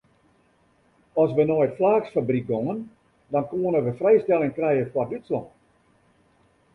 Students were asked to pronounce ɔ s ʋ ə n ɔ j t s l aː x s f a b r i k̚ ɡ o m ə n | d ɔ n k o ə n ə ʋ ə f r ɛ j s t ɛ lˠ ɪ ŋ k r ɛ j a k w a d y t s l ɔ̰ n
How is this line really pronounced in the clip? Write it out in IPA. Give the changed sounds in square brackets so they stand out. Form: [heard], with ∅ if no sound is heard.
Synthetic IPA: ɔ s ʋ ə n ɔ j t [f] l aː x s f a b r i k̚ ɡ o [ŋ] ə n | d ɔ n k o ə n ə ʋ ə f r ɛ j s t ɛ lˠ ɪ ŋ k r ɛ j [ə] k w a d y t s l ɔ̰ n